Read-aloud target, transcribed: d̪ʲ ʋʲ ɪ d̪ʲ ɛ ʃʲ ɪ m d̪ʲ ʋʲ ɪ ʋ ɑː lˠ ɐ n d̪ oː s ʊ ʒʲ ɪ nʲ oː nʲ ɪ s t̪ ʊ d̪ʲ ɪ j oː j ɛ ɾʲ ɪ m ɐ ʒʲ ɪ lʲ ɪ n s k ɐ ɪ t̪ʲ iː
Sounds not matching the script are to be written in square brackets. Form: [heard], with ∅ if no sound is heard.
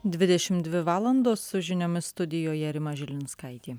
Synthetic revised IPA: d̪ʲ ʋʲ ɪ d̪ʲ ɛ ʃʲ ɪ m d̪ʲ ʋʲ ɪ ʋ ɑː lˠ ɐ n d̪ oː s ʊ ʒʲ ɪ nʲ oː [mʲ] ɪ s t̪ ʊ d̪ʲ ɪ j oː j ɛ ɾʲ ɪ m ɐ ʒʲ ɪ lʲ ɪ n s k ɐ ɪ t̪ʲ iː

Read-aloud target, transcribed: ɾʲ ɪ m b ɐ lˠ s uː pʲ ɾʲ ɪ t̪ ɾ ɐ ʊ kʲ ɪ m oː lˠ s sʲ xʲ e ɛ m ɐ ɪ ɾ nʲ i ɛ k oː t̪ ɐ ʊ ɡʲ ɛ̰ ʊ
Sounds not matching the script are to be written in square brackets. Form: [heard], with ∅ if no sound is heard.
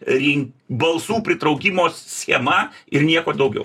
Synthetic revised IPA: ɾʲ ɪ [ŋ] b ɐ lˠ s uː pʲ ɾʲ ɪ t̪ ɾ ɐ ʊ kʲ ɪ m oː [∅] s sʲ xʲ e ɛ m ɐ ɪ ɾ nʲ i ɛ k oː [d̪] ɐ ʊ ɡʲ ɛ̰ ʊ

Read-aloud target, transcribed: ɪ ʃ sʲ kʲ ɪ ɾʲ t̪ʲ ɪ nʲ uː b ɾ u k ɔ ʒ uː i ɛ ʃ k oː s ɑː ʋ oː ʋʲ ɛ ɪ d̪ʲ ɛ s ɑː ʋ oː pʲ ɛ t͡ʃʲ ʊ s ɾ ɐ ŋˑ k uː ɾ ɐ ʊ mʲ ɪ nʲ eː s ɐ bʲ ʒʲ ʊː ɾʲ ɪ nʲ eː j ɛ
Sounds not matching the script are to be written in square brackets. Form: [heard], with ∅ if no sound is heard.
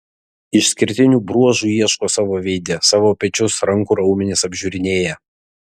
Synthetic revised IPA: ɪ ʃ sʲ kʲ ɪ ɾʲ t̪ʲ ɪ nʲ uː b ɾ u [∅] ɔ ʒ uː i ɛ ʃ k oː s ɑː ʋ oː ʋʲ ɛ ɪ d̪ʲ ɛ s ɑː ʋ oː pʲ ɛ t͡ʃʲ ʊ s ɾ ɐ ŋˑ k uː ɾ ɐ ʊ mʲ ɪ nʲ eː s ɐ bʲ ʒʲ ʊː ɾʲ ɪ nʲ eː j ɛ

